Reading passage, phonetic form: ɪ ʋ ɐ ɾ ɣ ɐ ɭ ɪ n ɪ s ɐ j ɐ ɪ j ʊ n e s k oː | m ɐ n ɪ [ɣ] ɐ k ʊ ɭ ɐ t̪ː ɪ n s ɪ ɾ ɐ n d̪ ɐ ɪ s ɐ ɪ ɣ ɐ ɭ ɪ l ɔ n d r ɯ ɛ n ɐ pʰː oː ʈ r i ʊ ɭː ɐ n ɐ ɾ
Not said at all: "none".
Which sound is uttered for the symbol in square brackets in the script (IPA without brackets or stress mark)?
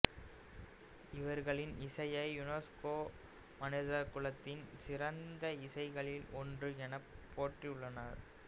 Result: ð